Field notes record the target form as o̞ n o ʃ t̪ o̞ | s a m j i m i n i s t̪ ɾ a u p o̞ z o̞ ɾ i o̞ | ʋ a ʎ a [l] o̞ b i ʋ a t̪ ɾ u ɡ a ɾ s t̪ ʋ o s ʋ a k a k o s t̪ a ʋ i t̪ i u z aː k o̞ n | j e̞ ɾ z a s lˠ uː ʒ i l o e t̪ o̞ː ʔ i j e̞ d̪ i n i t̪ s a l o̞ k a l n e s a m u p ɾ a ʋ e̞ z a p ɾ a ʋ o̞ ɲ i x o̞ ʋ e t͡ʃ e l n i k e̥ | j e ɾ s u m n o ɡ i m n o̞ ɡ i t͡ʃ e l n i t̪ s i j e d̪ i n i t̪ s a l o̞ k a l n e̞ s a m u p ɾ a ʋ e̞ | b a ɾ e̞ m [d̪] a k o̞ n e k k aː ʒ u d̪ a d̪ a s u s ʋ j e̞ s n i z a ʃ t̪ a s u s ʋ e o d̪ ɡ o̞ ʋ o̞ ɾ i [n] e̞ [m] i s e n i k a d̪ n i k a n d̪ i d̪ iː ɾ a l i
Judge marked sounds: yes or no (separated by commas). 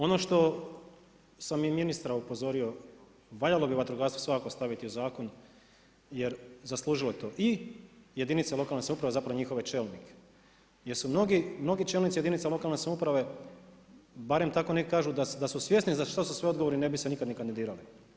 yes, no, yes, no